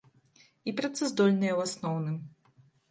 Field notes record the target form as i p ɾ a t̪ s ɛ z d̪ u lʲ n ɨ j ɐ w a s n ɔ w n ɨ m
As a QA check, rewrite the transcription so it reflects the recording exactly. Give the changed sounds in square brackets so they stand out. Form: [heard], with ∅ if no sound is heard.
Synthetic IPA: i p ɾ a t̪ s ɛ z d̪ [ɔ] lʲ n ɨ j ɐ w a s n ɔ w n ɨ m